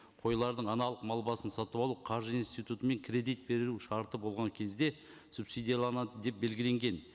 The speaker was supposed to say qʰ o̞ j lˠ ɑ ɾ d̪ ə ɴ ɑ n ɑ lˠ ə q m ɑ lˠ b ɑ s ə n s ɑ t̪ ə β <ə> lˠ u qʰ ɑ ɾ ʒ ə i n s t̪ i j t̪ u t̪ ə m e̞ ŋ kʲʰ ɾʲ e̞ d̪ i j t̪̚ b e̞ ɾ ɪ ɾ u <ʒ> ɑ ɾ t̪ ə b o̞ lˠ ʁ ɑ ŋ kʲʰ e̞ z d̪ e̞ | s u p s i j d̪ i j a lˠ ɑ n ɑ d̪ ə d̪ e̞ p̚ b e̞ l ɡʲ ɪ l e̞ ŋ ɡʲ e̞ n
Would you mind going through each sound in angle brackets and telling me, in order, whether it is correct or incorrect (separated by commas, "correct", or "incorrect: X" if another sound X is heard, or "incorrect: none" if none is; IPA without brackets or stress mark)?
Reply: incorrect: ɑ, incorrect: ʃ